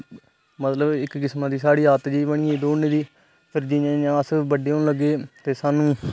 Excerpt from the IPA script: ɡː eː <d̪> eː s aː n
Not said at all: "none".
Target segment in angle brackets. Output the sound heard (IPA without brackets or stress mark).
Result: t̪